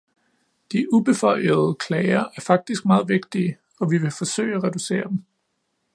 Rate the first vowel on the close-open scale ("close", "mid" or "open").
close